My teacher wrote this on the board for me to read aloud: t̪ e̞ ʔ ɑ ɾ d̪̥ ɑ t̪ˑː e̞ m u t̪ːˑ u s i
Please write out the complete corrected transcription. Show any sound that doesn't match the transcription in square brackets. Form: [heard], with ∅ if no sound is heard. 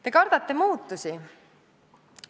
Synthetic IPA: t̪ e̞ [k] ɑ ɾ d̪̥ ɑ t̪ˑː e̞ m [uː] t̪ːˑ u s i